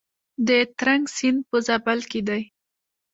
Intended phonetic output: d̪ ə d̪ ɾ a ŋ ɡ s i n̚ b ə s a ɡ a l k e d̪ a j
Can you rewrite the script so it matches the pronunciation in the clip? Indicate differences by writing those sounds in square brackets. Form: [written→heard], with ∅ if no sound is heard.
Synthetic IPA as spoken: d̪ ə [d̪→t̪] ɾ a ŋ ɡ s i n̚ [b→p] ə [s→z] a [ɡ→b] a l k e d̪ a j